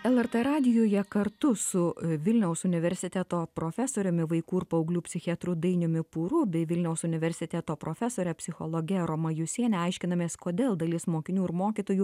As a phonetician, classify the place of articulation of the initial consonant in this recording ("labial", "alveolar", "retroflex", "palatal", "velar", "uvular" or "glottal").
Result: alveolar